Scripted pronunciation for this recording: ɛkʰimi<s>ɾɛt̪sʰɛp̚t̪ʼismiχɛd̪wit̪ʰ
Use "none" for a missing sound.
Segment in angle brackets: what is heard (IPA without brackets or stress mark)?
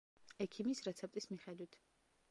s